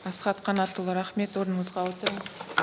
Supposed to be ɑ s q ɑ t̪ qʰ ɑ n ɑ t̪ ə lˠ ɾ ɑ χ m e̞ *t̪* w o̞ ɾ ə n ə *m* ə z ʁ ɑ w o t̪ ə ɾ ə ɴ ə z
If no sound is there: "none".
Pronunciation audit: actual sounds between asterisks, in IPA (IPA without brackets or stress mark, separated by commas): t̪, ɴ